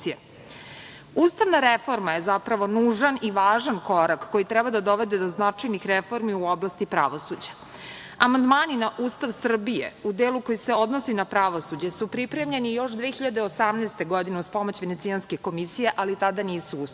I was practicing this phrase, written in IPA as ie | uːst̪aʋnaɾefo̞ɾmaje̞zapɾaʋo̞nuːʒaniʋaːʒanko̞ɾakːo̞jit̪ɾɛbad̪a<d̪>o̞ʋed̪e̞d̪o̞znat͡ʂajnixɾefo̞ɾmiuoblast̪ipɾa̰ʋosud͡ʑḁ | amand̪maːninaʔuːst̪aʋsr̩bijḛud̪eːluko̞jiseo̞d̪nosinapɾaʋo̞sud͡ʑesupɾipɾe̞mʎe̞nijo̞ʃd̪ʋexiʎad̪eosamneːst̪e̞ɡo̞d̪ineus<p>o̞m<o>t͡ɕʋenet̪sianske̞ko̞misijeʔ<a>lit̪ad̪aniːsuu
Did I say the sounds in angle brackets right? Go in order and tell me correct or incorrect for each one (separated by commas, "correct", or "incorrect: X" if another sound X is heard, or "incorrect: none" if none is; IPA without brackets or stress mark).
correct, correct, correct, correct